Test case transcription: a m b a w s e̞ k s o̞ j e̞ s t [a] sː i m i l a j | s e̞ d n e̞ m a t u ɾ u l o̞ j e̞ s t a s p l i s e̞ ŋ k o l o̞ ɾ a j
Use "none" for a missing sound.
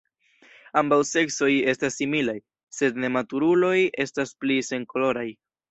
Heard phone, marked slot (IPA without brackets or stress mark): a